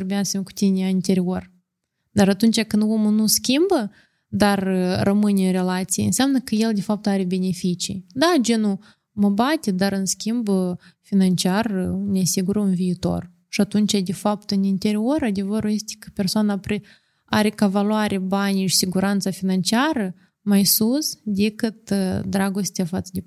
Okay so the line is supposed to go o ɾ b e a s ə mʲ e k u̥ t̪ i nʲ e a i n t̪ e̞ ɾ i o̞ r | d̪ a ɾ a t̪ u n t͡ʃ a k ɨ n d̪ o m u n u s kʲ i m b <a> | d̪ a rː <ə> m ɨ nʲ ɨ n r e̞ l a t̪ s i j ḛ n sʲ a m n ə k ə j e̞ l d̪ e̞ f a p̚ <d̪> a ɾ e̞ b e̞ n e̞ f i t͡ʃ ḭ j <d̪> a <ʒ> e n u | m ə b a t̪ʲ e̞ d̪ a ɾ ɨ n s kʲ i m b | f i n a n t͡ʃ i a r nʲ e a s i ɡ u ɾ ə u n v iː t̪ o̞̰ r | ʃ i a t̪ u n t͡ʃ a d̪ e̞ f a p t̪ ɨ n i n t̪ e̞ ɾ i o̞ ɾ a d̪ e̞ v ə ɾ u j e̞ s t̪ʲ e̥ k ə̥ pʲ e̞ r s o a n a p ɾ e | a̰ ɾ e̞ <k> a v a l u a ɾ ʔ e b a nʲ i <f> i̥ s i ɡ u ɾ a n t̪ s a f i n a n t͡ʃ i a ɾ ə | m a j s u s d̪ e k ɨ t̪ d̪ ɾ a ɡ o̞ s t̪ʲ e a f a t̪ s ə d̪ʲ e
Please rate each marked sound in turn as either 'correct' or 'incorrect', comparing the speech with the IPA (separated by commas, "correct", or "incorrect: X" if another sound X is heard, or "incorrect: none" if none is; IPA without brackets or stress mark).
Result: incorrect: ə, correct, incorrect: t̪, correct, incorrect: d͡ʒ, correct, incorrect: ʃ